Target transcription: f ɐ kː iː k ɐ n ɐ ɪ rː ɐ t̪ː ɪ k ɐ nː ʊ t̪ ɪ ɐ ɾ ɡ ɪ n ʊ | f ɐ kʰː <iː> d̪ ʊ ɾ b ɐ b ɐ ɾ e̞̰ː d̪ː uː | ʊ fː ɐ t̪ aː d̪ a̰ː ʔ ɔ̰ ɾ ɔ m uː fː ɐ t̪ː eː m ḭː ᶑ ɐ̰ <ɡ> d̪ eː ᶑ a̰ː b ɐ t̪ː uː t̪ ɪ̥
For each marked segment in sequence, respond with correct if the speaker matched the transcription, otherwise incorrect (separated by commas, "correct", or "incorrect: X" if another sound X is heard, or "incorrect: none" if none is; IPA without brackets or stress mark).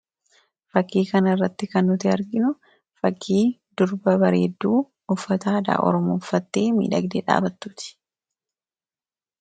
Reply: correct, correct